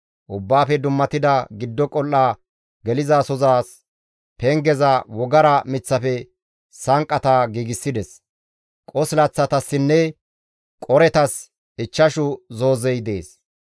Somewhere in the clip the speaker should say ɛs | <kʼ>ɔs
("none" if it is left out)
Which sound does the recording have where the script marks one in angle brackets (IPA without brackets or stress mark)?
kʼ